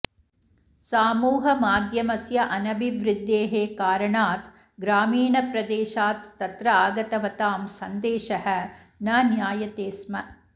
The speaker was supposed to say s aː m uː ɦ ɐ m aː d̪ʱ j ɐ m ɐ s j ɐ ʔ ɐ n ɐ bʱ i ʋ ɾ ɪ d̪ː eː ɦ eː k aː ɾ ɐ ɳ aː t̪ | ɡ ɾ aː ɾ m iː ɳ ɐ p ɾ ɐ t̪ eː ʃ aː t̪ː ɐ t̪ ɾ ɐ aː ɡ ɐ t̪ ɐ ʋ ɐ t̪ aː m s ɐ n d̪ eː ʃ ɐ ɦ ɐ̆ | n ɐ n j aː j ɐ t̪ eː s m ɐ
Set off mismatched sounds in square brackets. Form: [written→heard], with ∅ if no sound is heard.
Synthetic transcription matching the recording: s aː m uː ɦ ɐ m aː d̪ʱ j ɐ m ɐ s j ɐ ʔ ɐ n ɐ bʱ i ʋ ɾ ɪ d̪ː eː ɦ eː k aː ɾ ɐ ɳ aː t̪ | ɡ ɾ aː [ɾ→∅] m iː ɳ ɐ p ɾ ɐ [t̪→d̪] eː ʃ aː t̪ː ɐ t̪ ɾ ɐ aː ɡ ɐ t̪ ɐ ʋ ɐ t̪ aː m s ɐ n d̪ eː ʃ ɐ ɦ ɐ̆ | n ɐ n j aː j ɐ t̪ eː s m ɐ